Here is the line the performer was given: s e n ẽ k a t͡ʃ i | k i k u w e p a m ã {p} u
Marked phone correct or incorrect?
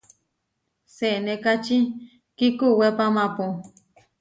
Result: correct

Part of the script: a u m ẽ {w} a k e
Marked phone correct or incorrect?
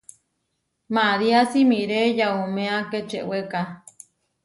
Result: incorrect: none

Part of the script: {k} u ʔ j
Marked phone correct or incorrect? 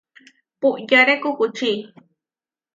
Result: incorrect: p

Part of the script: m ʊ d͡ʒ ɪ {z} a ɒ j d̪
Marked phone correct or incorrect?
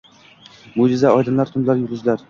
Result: correct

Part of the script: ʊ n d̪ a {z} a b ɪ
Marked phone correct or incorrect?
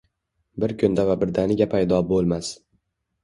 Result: incorrect: v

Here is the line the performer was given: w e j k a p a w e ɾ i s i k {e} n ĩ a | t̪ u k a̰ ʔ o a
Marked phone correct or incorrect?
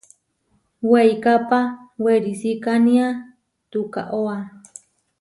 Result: incorrect: a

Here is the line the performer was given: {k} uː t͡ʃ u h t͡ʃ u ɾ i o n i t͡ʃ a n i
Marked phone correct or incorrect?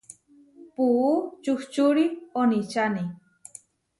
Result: incorrect: p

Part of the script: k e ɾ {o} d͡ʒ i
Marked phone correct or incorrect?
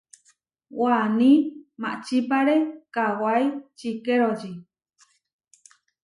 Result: correct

